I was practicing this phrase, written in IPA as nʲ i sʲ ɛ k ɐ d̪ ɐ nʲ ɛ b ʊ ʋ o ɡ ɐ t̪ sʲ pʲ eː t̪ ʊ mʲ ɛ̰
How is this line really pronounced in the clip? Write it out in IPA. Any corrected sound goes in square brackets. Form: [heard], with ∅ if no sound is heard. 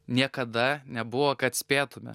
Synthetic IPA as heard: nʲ i [∅] ɛ k ɐ d̪ ɐ nʲ ɛ b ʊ ʋ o [k] ɐ t̪ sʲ pʲ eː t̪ ʊ mʲ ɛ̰